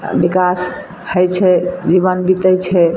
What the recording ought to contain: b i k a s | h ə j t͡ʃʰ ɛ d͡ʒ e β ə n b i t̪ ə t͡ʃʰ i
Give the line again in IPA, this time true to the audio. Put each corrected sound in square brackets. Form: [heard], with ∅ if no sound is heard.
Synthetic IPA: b i k a s | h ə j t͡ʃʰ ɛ d͡ʒ [i] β ə n b i t̪ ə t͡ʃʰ [ɛ]